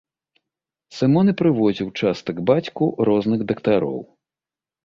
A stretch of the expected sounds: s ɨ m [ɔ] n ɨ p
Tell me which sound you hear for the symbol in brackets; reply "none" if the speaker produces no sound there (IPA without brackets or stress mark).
ɔ